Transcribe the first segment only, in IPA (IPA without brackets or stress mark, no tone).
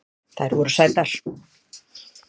θ